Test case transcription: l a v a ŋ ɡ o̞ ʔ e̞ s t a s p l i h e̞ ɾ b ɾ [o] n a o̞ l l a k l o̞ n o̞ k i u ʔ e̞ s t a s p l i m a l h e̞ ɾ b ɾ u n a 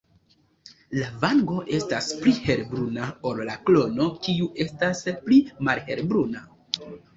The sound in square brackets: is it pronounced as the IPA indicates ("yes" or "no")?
no